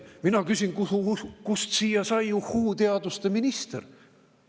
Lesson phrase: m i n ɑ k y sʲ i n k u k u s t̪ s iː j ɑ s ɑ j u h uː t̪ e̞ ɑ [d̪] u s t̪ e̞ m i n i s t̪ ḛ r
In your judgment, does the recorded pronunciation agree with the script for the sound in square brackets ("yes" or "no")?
yes